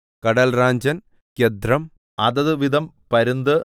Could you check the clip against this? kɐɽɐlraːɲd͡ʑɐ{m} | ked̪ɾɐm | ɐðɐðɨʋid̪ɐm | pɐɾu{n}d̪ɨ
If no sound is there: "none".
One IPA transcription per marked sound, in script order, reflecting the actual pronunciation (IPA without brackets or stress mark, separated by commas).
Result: n, n